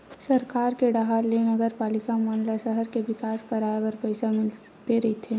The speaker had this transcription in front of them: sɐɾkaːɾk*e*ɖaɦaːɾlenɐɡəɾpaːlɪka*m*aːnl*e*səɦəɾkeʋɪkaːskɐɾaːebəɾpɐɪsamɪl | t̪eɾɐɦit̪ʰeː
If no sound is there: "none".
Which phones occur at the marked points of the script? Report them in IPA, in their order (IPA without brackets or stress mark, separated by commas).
e, m, a